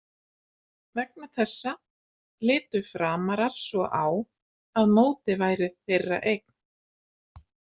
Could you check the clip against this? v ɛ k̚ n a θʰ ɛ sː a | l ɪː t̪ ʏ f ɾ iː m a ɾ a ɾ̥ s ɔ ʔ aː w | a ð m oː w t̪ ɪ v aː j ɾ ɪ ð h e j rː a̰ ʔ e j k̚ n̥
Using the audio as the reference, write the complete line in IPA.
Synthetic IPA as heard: v ɛ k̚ n a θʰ ɛ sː a | l ɪː t̪ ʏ f ɾ aː m a ɾ a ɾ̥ s ɔ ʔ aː w | a ð m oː w t̪ ɪ v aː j ɾ ɪ ð θ e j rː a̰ ʔ e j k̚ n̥